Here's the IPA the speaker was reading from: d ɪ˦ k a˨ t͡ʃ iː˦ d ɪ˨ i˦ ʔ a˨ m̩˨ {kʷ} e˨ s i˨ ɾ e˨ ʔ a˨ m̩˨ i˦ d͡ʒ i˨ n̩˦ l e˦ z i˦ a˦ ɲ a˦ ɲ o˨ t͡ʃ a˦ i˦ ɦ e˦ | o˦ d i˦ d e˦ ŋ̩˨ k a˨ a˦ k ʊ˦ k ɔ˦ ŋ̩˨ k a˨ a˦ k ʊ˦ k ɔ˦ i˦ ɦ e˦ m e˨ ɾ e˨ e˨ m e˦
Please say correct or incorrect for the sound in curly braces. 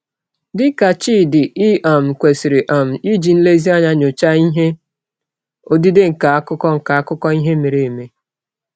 correct